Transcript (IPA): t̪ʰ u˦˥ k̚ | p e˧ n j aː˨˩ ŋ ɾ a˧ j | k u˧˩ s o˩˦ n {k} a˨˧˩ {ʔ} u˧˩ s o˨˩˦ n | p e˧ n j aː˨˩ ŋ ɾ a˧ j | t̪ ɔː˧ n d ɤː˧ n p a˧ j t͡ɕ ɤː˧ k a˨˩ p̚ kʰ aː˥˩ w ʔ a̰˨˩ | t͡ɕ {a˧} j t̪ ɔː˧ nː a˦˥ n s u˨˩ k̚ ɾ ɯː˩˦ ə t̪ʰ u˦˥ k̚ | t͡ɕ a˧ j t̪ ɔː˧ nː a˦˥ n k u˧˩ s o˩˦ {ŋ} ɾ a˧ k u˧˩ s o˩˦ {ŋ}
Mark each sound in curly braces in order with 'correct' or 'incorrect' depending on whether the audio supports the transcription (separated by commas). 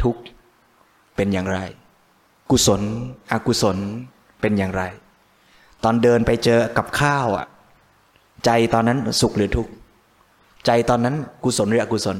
incorrect, incorrect, correct, incorrect, incorrect